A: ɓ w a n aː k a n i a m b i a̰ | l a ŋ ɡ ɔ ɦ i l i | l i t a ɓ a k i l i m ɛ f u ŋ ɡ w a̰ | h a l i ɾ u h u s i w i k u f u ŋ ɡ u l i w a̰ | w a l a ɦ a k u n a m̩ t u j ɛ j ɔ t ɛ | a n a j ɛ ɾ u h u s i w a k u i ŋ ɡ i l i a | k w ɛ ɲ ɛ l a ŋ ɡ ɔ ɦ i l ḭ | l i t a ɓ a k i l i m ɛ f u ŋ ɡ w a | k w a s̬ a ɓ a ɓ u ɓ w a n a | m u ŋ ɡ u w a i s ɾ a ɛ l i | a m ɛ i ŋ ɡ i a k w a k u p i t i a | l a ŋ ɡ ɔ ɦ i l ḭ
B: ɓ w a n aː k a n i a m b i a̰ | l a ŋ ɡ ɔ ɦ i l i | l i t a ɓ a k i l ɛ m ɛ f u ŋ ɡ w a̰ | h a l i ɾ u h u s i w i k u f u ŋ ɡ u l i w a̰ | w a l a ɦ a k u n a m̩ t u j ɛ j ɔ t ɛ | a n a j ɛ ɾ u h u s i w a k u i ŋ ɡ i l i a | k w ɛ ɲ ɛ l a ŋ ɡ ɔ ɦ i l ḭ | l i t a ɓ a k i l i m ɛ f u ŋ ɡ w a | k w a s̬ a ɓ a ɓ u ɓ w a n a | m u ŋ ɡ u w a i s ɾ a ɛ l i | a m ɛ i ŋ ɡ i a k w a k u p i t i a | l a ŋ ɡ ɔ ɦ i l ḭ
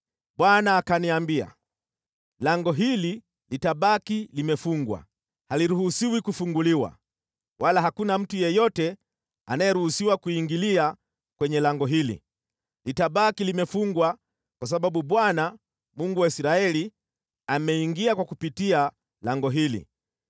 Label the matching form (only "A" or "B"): A